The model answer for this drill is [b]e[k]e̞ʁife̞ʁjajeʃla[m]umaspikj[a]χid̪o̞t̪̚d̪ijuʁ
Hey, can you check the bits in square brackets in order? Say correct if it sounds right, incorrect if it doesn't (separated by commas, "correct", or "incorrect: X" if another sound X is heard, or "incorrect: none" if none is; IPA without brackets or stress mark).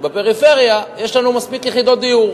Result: correct, incorrect: p, incorrect: n, incorrect: e